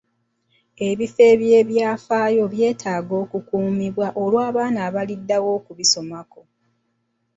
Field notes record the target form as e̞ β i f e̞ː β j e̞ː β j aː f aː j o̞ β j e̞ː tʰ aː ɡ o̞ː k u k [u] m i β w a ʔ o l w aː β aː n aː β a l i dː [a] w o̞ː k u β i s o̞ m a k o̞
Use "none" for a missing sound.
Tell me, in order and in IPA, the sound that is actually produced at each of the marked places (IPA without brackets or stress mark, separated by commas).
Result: uː, a